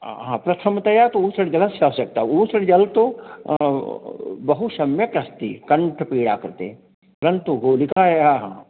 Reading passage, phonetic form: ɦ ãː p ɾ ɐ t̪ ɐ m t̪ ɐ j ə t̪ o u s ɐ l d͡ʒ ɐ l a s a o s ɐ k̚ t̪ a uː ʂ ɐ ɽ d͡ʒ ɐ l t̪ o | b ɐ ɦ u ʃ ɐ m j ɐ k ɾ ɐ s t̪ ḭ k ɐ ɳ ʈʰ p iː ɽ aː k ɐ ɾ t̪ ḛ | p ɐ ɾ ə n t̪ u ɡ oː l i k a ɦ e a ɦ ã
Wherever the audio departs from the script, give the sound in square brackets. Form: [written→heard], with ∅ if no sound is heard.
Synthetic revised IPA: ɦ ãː p ɾ ɐ [t̪→t̪ʰ] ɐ m t̪ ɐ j [ə→a] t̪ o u s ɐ [l→ɽ] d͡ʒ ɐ l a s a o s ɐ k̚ t̪ a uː [ʂ→s] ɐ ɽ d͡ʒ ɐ l t̪ o | b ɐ ɦ u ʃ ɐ m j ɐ k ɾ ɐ s t̪ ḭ k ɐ ɳ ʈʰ p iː ɽ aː k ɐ ɾ t̪ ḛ | p ɐ ɾ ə n t̪ u ɡ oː l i k a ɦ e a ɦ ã